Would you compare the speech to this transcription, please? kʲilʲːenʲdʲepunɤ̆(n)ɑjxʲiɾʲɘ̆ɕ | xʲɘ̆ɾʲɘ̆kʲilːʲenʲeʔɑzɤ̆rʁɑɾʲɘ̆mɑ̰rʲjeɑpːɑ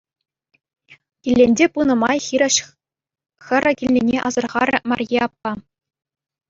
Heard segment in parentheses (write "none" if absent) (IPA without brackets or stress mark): m